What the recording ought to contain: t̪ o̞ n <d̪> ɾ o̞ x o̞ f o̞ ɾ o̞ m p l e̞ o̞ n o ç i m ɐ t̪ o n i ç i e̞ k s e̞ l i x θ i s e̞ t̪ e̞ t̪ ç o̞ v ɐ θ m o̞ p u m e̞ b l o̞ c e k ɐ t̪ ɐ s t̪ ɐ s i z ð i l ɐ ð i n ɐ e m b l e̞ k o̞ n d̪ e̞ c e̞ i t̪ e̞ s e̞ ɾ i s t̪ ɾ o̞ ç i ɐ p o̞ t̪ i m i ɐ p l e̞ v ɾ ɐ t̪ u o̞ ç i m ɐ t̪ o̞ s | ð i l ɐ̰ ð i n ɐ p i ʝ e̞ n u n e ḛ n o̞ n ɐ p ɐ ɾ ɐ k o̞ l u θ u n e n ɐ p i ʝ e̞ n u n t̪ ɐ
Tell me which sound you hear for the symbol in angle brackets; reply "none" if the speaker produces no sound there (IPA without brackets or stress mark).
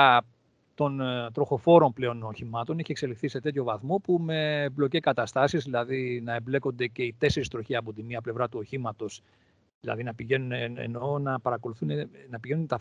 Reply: t̪